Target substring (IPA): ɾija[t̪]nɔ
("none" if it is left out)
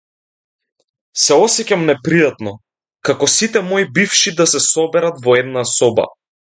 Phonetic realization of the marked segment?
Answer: t̪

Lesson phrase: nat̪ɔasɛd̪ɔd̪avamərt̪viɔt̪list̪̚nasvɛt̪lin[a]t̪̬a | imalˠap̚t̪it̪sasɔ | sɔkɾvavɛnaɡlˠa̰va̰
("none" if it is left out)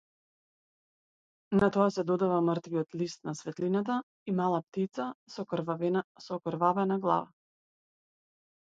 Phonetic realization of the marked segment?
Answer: a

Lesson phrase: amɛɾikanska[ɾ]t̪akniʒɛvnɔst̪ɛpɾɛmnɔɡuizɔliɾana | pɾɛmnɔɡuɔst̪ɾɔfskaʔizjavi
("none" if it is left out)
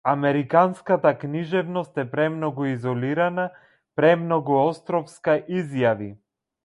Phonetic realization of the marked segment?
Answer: none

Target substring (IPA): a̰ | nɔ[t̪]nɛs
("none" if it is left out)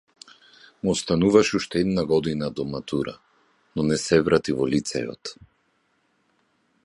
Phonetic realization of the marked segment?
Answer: none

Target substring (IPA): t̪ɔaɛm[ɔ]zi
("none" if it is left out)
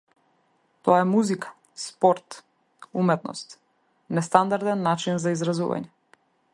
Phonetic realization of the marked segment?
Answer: u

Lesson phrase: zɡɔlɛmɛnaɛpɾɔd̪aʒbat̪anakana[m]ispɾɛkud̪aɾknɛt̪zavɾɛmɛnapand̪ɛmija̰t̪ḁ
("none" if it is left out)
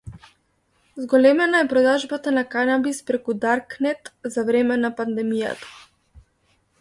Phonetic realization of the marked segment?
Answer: b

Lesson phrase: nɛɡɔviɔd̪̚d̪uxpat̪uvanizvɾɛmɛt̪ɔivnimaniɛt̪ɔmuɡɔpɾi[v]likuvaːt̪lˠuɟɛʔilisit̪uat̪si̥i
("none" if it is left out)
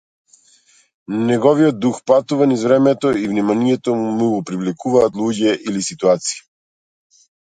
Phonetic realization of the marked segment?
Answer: v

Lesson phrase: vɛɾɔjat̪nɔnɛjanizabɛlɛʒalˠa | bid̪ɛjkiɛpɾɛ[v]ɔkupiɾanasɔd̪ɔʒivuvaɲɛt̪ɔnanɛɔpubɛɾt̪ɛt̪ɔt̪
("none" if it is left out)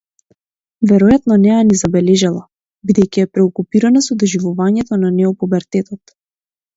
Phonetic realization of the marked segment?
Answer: none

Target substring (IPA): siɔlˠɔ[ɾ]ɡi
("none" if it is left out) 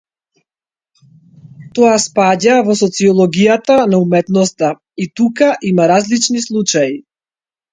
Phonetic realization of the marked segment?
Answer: none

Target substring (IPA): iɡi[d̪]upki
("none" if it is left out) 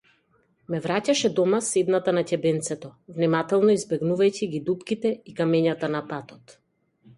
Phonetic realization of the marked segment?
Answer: d̪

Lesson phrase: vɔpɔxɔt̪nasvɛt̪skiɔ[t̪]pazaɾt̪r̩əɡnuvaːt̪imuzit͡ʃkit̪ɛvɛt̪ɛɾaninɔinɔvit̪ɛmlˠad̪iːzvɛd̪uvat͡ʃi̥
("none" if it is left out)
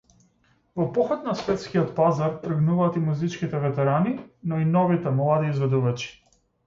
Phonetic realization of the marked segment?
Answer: t̪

